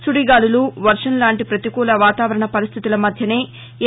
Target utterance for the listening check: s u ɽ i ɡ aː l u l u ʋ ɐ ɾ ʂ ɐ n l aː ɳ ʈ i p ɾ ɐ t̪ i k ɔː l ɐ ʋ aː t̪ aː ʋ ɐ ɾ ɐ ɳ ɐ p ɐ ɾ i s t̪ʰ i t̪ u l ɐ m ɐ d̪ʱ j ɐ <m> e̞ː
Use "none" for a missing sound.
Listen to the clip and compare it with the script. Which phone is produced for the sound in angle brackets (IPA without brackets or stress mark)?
n